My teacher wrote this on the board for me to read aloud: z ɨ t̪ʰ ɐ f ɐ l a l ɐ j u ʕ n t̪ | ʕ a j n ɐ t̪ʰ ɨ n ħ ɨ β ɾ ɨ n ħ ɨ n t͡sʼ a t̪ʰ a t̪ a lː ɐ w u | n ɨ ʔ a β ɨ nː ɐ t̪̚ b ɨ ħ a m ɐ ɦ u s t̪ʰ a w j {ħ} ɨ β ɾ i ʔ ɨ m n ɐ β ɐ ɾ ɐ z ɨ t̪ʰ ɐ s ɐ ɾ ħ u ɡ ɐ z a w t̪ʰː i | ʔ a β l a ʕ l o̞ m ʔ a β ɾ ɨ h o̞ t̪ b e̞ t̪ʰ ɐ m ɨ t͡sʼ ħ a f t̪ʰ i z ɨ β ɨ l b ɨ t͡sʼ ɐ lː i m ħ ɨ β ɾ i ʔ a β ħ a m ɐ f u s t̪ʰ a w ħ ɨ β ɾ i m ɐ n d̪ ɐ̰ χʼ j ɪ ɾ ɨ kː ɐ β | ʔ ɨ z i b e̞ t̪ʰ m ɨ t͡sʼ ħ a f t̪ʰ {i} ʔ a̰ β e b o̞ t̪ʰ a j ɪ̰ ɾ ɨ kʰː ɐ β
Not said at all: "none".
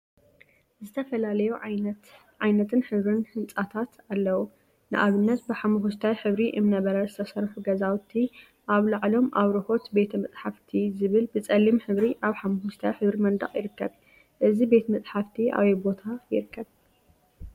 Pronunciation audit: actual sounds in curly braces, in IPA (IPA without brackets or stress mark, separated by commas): ħ, i